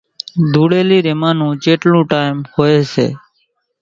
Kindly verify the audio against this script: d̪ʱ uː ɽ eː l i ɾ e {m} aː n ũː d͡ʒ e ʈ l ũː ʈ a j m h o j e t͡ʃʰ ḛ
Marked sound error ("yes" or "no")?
no